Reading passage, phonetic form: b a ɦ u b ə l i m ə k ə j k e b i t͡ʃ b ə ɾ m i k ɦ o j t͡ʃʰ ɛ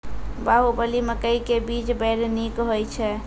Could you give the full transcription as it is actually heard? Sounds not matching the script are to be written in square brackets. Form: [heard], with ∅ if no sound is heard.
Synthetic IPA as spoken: b a ɦ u b ə l i m ə k ə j k e b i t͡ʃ b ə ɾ [n] i k ɦ o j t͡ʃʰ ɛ